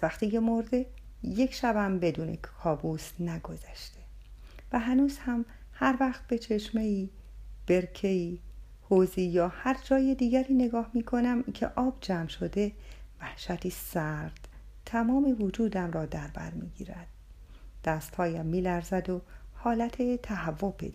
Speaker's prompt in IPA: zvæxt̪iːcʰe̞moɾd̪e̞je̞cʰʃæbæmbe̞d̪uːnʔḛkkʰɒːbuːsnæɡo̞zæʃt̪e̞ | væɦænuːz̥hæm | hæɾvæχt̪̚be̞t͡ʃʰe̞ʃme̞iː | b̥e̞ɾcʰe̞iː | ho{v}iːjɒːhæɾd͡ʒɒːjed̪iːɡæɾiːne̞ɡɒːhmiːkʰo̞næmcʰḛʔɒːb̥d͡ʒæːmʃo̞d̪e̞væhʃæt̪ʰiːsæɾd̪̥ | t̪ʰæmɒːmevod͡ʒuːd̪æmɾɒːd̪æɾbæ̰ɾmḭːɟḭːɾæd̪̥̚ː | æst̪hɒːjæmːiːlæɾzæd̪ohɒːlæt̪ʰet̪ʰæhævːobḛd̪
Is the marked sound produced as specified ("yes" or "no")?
no